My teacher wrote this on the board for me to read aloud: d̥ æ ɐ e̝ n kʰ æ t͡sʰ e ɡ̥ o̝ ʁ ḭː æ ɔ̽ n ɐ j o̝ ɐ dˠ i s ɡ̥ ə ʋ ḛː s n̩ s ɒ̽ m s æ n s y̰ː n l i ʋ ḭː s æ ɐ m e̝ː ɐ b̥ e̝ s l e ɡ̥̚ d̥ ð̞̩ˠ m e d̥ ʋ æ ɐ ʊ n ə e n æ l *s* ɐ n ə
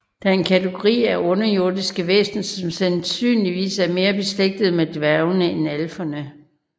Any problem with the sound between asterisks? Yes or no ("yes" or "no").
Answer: yes